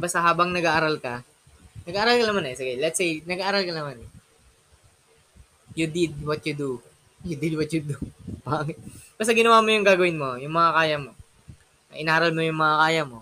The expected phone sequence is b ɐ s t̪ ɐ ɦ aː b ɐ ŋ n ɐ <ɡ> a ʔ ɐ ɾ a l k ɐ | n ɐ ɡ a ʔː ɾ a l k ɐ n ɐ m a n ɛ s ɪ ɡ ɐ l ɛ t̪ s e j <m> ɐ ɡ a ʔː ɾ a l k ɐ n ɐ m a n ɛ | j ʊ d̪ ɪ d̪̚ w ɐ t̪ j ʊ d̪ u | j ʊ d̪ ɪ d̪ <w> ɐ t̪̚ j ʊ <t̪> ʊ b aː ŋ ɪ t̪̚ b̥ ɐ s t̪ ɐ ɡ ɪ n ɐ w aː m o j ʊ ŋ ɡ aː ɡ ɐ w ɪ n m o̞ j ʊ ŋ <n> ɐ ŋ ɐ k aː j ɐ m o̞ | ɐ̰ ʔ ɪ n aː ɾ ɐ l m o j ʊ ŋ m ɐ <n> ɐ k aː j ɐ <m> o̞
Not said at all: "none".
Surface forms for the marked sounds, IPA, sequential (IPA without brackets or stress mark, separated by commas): ɡ, n, w, d̪, m, ŋ, m